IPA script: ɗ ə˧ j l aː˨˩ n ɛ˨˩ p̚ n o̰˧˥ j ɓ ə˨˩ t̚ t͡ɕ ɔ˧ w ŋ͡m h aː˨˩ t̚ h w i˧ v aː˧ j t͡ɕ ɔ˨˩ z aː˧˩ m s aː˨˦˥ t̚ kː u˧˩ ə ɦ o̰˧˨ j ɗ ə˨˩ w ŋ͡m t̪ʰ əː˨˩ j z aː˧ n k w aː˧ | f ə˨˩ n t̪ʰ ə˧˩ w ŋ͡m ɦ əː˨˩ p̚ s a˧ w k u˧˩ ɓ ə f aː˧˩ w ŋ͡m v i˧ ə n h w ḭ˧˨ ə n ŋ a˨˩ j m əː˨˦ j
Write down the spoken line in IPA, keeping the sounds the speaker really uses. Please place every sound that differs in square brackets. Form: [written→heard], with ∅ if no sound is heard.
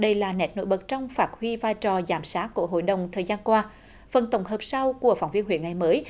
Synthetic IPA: ɗ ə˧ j l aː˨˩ n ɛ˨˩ [p̚→t̚] n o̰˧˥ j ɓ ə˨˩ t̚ t͡ɕ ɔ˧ w ŋ͡m [h→f] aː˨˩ t̚ h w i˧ v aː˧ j t͡ɕ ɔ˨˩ z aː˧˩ m s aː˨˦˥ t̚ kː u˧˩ ə ɦ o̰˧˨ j ɗ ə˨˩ w ŋ͡m t̪ʰ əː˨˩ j z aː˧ n k w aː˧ | f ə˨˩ n [t̪ʰ→t̪] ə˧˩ w ŋ͡m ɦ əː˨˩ p̚ s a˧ w k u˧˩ [ɓ→∅] ə f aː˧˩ w ŋ͡m v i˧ ə n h w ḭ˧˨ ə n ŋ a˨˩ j m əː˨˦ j